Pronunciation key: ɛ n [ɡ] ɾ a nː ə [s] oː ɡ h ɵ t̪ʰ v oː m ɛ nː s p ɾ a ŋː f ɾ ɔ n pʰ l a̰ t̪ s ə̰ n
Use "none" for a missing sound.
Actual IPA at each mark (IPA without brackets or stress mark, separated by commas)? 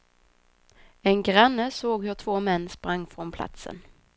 ɡ, s